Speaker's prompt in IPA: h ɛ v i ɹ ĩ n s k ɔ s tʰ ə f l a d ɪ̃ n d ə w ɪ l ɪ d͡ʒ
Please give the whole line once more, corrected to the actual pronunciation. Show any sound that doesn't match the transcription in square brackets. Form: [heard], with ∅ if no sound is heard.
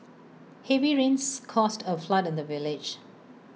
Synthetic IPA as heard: h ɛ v i ɹ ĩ n s [kʰ] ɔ s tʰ ə f l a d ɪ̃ n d ə [v] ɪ l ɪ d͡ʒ